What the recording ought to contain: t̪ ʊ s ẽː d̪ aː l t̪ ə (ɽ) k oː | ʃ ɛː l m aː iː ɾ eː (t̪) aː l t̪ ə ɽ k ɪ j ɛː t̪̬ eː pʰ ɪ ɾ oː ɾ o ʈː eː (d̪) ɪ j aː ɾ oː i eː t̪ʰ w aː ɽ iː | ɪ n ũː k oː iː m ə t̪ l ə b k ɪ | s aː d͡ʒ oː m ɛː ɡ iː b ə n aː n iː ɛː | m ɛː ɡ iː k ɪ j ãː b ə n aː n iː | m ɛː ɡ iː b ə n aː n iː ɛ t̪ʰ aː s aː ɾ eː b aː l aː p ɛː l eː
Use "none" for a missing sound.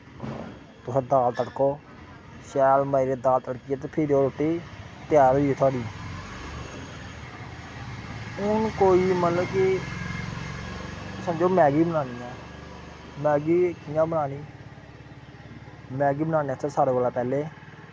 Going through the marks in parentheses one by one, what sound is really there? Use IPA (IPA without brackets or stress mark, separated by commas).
ɽ, d̪, t̪